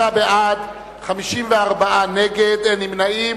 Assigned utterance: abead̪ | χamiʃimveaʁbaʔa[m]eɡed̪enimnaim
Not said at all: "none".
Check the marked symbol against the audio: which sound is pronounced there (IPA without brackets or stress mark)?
n